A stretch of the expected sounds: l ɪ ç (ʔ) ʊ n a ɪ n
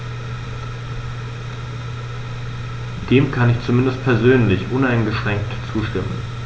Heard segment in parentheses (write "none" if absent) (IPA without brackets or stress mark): ʔ